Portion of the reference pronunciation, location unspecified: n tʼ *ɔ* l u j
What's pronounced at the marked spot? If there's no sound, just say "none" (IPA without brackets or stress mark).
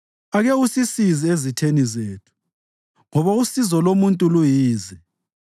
u